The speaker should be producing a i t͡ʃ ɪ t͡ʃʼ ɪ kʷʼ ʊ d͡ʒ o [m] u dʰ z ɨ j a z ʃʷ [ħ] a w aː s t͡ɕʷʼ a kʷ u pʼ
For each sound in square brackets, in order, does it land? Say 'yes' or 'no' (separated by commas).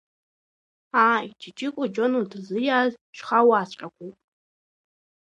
no, no